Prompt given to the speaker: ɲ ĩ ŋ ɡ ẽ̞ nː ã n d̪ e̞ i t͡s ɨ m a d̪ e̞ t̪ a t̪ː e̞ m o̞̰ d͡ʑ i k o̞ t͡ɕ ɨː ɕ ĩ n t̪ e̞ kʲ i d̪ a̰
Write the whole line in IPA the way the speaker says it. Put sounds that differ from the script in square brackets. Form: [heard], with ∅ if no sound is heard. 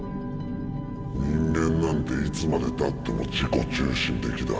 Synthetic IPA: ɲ ĩ ŋ ɡ ẽ̞ nː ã n [t̪] e̞ i t͡s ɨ m a d̪ e̞ t̪ a t̪ː e̞ m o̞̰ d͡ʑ i k o̞ t͡ɕ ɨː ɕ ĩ n t̪ e̞ kʲ i d̪ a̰